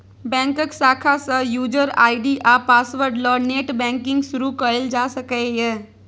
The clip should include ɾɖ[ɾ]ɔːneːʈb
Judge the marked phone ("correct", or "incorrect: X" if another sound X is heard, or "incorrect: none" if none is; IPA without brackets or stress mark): incorrect: l